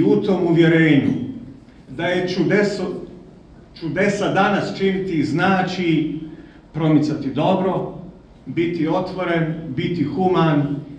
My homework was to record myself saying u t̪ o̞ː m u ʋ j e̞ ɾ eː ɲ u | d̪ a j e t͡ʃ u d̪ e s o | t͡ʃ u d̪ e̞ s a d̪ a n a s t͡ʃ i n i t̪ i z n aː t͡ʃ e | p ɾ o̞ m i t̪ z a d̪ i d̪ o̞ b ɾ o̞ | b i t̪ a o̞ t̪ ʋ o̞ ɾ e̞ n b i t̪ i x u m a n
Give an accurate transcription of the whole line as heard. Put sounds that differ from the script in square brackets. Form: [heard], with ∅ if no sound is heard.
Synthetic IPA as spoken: u t̪ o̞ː m u ʋ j e̞ ɾ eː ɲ u | d̪ a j e t͡ʃ u d̪ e s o | t͡ʃ u d̪ e̞ s a d̪ a n a s t͡ʃ i n i t̪ i z n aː t͡ʃ [i] | p ɾ o̞ m i t̪ [s] a [t̪] i d̪ o̞ b ɾ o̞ | b i t̪ [i] o̞ t̪ ʋ o̞ ɾ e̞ n b i t̪ i x u m a n